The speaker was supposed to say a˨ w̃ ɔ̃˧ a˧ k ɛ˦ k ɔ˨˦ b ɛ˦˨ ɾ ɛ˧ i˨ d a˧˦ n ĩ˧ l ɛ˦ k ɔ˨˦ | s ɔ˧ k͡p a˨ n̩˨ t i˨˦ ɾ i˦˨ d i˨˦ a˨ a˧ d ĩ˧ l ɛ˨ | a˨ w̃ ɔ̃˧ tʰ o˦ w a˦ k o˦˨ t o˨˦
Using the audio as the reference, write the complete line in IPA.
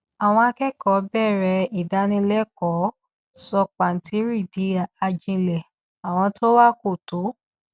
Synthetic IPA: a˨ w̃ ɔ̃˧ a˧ k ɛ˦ k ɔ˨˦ b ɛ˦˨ ɾ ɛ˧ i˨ d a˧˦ n ĩ˧ l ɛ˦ k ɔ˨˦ | s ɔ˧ k͡p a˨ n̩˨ t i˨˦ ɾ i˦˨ d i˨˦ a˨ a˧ d͡ʒ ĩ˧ l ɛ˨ | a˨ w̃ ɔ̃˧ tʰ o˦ w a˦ k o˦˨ t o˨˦